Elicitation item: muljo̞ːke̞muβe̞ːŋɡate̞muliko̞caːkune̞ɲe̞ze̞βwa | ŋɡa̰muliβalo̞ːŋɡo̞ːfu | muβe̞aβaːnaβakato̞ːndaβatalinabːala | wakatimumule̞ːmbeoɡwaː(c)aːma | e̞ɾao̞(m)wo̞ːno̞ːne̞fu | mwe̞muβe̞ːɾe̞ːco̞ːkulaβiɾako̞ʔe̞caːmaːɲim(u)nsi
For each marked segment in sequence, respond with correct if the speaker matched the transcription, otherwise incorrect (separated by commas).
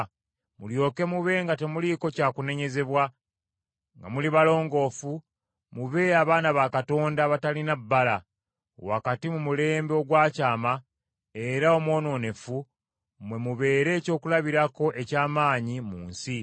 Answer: correct, correct, incorrect